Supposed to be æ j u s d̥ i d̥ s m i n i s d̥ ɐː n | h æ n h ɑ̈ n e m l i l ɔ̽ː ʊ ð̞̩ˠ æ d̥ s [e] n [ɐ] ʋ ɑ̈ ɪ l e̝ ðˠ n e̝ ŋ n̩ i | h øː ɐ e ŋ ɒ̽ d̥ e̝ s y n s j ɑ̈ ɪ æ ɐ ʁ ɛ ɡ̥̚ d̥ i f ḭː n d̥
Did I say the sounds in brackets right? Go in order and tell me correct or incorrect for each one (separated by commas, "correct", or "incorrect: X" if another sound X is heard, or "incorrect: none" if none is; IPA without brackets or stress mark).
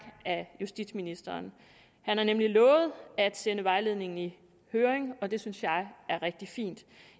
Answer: correct, incorrect: ə